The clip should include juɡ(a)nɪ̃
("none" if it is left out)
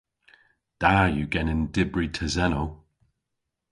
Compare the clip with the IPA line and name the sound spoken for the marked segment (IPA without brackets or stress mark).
ɛ